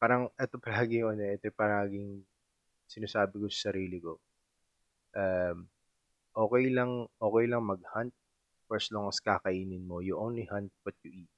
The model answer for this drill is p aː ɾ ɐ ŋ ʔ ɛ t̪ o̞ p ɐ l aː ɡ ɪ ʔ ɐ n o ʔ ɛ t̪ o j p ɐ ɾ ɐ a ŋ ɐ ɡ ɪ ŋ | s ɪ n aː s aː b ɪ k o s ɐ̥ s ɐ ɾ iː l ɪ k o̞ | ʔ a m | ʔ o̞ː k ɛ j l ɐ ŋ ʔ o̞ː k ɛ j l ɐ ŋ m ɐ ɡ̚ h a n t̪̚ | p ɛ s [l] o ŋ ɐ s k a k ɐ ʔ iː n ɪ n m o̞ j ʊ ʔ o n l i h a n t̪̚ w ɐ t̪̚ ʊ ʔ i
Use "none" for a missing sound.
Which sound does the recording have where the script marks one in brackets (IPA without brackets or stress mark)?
l